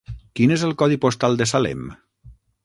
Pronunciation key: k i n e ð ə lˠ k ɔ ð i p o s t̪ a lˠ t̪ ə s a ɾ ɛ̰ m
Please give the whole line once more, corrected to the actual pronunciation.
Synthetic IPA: k i n e z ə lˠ k ɔ ð i p o s t̪ a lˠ d̪ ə s a l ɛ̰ m